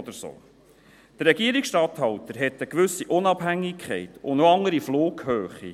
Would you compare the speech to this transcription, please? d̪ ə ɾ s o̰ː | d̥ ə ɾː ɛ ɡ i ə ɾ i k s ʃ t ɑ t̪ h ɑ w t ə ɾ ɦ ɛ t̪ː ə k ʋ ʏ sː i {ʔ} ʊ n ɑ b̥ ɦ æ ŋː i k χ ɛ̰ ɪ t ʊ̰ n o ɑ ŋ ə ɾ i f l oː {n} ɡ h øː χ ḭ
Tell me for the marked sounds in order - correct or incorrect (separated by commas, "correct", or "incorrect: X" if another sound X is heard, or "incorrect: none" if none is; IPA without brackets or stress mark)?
correct, incorrect: none